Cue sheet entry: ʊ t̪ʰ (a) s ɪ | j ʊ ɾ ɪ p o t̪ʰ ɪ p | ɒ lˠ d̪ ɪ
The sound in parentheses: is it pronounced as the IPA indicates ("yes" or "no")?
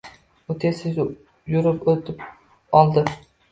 no